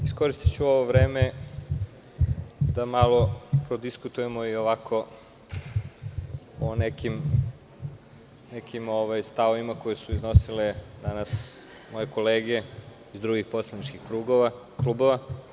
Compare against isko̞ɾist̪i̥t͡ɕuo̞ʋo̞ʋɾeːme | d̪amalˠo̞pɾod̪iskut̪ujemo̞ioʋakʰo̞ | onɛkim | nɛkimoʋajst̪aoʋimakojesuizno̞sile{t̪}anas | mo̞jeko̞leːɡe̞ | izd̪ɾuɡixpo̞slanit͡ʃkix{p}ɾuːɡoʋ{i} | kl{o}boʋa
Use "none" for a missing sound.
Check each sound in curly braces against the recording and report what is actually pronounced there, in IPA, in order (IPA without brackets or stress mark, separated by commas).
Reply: d̪, k, a, u